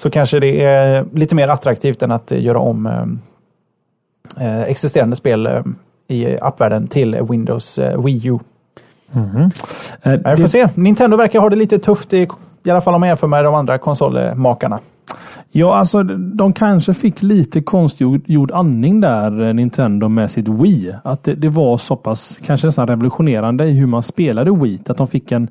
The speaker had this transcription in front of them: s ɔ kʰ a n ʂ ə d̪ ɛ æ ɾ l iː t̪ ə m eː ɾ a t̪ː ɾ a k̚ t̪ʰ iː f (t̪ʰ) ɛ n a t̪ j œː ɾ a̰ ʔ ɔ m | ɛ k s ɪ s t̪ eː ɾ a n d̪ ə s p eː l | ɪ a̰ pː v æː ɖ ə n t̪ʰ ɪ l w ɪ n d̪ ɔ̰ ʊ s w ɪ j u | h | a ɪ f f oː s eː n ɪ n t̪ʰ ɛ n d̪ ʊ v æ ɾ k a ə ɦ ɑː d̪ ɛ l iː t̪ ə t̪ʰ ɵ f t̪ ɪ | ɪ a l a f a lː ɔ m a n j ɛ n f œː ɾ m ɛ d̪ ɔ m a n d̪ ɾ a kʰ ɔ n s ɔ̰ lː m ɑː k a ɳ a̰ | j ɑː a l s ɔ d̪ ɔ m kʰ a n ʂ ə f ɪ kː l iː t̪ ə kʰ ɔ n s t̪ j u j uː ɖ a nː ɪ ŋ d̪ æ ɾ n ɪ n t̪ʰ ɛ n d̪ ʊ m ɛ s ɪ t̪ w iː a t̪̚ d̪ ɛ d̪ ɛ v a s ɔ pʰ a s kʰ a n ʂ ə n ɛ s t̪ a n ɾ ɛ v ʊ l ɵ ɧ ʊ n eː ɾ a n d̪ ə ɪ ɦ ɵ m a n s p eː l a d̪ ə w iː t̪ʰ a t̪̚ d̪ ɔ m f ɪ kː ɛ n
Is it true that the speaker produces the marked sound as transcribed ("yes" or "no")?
no